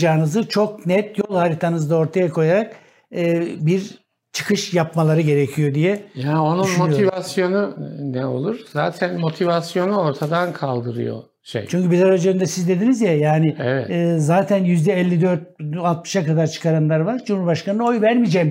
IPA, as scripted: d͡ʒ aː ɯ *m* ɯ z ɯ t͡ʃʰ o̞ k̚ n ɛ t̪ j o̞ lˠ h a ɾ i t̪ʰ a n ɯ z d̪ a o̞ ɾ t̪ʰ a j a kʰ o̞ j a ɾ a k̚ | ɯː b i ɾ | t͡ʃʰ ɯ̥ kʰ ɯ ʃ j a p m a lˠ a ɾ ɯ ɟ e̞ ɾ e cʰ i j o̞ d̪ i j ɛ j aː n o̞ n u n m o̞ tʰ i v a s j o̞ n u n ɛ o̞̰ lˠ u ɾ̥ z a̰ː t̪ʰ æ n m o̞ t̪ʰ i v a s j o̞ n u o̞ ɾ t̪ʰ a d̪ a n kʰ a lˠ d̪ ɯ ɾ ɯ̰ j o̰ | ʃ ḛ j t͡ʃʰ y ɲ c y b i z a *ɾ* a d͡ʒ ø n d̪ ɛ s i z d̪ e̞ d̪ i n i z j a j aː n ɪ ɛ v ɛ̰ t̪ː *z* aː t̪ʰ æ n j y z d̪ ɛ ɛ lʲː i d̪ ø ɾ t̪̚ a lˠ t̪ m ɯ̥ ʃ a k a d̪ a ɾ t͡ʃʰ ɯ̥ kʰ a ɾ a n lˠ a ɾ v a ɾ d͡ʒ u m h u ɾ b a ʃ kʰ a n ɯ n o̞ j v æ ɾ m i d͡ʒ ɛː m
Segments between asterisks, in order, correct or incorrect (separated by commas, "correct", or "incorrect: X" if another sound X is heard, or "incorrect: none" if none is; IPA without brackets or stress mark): incorrect: n, correct, correct